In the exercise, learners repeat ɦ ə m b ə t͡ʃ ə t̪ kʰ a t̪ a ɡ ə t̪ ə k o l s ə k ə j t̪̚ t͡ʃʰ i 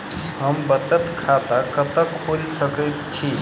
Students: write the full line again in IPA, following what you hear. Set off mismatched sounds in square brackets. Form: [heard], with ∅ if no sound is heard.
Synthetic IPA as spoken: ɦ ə m b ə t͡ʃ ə t̪ kʰ a t̪ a [k] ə t̪ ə [kʰ] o l s ə k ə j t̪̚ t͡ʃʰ i